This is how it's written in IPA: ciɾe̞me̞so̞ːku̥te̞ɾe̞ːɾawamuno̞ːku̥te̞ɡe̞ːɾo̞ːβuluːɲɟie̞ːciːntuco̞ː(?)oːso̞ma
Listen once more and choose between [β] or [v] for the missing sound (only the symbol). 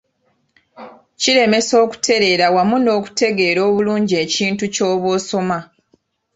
β